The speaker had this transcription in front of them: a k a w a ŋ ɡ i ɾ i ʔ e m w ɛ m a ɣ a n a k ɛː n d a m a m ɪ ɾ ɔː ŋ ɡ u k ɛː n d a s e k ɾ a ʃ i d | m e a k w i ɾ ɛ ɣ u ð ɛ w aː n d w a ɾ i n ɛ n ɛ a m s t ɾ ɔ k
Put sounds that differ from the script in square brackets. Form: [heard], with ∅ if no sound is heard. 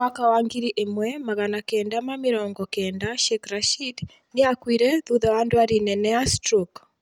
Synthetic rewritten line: a k a w a ŋ ɡ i ɾ i ʔ e m w ɛ m a ɣ a n a k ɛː n d a m a m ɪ ɾ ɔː ŋ ɡ [ɔ] k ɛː n d a [ʃ] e k ɾ a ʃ i d | [n] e a k w i ɾ ɛ [ð] u ð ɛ w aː n d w a ɾ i n ɛ n ɛ a [∅] s t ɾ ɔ k